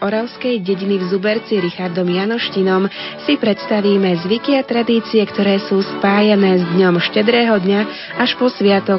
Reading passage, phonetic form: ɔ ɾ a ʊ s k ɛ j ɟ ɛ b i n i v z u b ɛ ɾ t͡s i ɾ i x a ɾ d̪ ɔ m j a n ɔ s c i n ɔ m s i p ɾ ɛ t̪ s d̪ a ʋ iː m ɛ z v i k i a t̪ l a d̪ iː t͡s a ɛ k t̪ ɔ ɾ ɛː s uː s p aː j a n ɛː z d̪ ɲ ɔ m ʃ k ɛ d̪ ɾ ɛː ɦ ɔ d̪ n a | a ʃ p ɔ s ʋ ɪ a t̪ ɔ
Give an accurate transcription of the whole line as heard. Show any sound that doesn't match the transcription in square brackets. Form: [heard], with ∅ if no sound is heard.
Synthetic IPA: ɔ ɾ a ʊ s k ɛ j ɟ ɛ [ɟ] i n i v z u b ɛ ɾ t͡s i ɾ i x a ɾ d̪ ɔ m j a n ɔ [ʃ] c i n ɔ m s i p ɾ ɛ t̪ s [t̪] a ʋ iː m ɛ z [ʋ] i k i a t̪ [ɾ] a d̪ iː t͡s [i] ɛ k t̪ ɔ ɾ ɛː s uː s p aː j a n ɛː z d̪ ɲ ɔ m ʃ [c] ɛ d̪ ɾ ɛː ɦ ɔ d̪ [ɲ] a | a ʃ p ɔ s ʋ ɪ a t̪ ɔ